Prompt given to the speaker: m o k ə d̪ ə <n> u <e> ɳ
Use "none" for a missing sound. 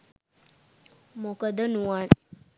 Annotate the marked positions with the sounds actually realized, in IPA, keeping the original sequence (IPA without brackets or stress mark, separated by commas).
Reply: n, a